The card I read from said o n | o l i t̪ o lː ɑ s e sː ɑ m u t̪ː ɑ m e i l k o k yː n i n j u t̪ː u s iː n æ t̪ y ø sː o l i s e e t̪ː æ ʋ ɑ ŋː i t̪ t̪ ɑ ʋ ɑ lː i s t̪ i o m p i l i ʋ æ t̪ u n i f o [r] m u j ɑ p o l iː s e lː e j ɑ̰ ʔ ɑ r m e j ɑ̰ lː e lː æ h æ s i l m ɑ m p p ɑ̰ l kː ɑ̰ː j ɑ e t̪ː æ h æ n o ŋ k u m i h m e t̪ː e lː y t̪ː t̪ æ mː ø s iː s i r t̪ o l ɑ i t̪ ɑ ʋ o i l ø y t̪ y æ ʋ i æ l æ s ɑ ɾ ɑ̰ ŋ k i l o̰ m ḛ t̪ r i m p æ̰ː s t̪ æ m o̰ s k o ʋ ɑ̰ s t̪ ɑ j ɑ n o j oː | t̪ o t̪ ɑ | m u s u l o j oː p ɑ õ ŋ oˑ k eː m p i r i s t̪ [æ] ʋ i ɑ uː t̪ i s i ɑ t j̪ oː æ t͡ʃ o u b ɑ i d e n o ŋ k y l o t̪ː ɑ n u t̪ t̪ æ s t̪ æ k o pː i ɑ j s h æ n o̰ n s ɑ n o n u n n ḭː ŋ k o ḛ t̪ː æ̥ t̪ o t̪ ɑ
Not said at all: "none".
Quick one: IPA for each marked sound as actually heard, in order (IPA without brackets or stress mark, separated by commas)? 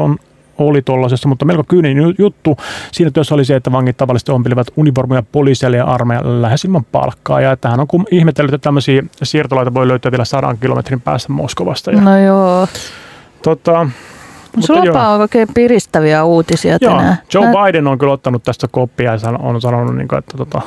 r, æ